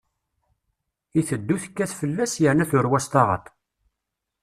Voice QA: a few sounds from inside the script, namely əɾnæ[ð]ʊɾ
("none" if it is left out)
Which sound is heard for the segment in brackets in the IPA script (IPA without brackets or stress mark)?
θ